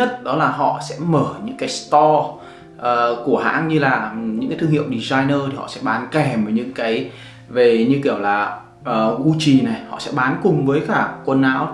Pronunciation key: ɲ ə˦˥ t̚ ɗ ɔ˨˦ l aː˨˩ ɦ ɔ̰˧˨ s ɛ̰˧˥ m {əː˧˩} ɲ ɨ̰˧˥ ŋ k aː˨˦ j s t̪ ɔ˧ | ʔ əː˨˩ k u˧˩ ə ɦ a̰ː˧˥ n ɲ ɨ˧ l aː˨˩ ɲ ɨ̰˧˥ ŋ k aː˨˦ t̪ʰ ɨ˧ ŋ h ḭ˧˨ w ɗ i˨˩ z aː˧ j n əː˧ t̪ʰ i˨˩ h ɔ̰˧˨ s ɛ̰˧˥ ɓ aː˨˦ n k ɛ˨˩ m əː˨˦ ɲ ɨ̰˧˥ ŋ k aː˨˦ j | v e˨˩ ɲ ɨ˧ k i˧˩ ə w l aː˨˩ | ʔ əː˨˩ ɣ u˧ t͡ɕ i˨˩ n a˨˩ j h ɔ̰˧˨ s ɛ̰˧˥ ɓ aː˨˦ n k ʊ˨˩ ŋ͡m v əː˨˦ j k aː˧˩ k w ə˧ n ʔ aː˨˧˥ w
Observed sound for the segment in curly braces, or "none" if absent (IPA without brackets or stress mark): əː˧˩